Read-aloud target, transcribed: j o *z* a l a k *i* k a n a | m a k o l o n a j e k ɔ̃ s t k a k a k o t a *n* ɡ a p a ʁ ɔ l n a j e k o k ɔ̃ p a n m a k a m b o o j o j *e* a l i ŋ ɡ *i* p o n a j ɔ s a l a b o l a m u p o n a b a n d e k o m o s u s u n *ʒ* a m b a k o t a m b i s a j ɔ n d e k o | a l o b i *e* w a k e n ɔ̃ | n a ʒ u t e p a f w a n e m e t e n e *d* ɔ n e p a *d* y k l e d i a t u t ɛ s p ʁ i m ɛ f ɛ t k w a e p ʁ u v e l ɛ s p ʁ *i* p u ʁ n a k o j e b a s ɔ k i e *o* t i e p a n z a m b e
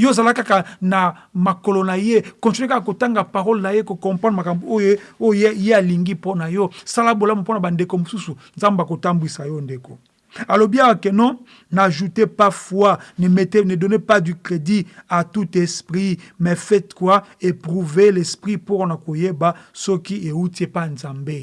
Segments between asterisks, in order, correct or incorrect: correct, incorrect: a, incorrect: ŋ, correct, correct, incorrect: z, incorrect: a, correct, correct, correct, incorrect: u

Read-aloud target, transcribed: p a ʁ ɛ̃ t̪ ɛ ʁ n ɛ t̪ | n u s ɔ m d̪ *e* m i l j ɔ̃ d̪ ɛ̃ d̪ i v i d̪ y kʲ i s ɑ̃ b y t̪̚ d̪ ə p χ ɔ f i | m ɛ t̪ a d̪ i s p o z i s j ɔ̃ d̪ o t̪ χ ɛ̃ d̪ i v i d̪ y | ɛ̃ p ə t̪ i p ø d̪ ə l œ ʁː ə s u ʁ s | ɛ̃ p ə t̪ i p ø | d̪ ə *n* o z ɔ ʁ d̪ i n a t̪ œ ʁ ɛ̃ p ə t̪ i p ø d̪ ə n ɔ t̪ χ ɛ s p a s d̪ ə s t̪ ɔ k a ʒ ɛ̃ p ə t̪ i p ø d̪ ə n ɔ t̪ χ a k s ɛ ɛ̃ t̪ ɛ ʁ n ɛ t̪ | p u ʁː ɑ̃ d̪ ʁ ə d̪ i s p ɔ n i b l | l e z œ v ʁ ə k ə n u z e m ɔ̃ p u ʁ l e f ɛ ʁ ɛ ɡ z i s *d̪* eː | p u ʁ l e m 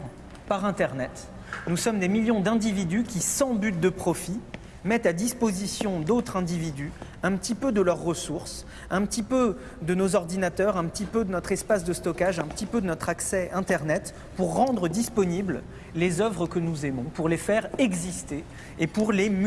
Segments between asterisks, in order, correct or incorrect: correct, correct, incorrect: t̪

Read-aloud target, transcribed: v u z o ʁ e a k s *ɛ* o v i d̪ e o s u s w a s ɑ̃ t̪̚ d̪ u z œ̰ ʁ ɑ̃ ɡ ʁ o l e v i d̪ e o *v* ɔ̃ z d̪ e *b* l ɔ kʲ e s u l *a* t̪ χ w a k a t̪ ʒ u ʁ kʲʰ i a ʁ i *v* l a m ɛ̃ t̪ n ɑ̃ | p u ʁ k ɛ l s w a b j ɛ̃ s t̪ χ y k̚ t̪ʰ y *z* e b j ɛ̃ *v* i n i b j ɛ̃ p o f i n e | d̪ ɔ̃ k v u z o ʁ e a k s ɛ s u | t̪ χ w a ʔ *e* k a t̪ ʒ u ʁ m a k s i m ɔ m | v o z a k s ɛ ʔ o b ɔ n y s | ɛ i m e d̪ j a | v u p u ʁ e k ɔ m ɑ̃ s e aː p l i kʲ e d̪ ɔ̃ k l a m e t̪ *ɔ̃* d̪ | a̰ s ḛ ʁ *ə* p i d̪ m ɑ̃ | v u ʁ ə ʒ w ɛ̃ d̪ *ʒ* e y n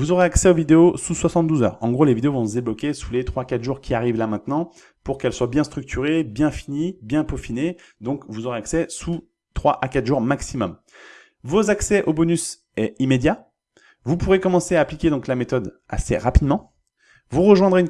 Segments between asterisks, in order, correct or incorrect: correct, correct, correct, incorrect: e, correct, incorrect: ʁ, incorrect: f, incorrect: a, incorrect: ɔ, incorrect: a, incorrect: ʁ

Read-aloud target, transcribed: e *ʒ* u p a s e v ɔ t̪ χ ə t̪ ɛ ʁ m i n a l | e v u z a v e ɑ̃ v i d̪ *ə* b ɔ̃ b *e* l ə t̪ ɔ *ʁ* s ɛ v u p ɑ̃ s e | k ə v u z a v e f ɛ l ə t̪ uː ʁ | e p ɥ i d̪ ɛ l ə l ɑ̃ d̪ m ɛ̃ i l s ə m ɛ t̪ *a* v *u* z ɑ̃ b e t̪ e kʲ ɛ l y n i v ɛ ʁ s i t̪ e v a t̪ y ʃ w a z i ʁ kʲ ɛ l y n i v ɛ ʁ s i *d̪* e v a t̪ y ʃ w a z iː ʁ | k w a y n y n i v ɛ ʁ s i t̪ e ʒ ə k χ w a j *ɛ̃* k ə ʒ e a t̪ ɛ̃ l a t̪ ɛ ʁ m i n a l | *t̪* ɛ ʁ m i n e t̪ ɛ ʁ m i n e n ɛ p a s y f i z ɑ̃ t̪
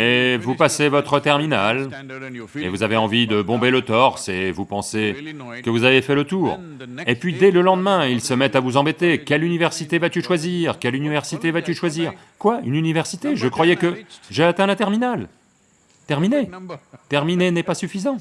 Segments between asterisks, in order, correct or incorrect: incorrect: v, correct, correct, correct, correct, correct, incorrect: t̪, incorrect: ɛ, correct

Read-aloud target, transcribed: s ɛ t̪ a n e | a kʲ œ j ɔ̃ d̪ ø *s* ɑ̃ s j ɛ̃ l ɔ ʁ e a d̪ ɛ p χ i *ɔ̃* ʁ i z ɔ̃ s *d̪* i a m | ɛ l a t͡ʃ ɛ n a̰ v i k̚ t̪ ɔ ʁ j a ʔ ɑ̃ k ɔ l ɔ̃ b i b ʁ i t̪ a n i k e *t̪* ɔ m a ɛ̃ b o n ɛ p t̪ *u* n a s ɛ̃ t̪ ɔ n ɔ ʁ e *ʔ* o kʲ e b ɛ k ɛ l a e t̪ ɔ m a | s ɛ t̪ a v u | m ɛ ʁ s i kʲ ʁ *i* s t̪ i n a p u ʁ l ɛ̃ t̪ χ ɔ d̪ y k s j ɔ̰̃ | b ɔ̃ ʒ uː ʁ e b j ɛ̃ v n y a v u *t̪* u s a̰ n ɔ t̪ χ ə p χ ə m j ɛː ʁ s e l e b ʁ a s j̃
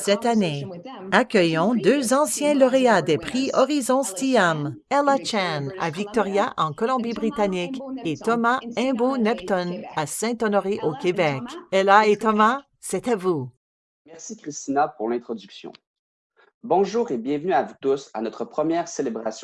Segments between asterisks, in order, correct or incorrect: incorrect: z, incorrect: ɔ, incorrect: t̪, correct, incorrect: ɔ, correct, correct, correct

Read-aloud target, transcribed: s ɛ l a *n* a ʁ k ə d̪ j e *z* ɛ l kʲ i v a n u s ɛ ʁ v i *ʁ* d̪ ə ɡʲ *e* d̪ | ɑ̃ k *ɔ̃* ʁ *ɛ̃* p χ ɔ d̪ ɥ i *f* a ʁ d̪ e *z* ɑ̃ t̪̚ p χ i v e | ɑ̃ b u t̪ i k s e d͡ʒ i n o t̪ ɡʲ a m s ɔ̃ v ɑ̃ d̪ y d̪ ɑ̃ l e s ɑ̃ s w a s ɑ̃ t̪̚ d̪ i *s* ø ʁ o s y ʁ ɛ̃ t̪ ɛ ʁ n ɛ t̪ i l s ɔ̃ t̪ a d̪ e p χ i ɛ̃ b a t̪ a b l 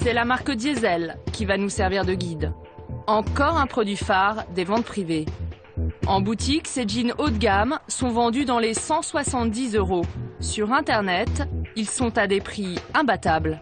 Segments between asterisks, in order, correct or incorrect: incorrect: m, correct, correct, incorrect: i, incorrect: ɔ, correct, correct, incorrect: v, incorrect: z

